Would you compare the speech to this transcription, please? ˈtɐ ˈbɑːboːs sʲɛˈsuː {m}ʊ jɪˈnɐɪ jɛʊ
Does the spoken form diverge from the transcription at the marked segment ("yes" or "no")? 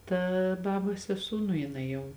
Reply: yes